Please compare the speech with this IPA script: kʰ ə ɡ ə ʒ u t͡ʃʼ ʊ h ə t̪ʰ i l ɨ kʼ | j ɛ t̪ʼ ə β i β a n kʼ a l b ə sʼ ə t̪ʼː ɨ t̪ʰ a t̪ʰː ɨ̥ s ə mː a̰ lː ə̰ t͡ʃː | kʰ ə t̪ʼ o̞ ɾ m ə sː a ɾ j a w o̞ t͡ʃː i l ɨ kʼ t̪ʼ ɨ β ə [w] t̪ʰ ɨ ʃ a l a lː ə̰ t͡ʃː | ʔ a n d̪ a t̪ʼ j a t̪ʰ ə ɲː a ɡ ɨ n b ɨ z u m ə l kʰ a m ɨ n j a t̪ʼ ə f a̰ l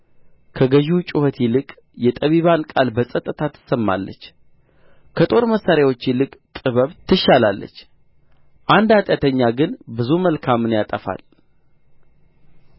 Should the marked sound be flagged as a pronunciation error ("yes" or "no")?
yes